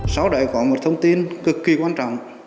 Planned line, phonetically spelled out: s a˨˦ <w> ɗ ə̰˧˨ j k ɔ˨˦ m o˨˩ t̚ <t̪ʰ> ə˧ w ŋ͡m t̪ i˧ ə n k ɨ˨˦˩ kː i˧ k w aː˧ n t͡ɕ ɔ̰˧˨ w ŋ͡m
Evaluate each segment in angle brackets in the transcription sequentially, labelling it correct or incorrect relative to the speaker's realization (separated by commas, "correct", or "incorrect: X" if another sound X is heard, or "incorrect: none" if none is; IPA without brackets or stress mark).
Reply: correct, correct